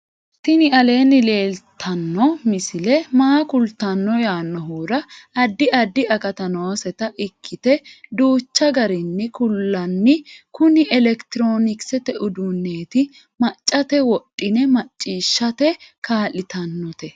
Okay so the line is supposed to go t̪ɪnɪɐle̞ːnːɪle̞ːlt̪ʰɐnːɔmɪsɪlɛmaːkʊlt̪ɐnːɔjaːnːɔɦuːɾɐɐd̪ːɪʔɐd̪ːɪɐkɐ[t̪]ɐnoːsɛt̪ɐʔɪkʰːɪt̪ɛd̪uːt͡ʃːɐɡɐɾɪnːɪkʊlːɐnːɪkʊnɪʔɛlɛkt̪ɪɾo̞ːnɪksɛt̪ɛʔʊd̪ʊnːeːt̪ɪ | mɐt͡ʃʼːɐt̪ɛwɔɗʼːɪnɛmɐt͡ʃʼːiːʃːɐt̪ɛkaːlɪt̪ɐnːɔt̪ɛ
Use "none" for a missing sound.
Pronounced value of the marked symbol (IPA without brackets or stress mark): t̪